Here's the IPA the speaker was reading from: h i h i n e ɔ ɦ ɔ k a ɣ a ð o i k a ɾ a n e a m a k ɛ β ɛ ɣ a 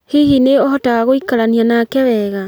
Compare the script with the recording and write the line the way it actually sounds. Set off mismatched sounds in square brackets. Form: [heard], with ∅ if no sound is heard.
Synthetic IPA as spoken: h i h i n e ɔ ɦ ɔ [t] a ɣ a [ɣ] o i k a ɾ a n [i] a [n] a k ɛ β ɛ ɣ a